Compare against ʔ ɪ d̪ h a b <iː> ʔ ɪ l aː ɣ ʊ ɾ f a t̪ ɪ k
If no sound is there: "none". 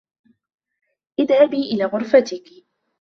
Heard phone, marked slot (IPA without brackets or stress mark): iː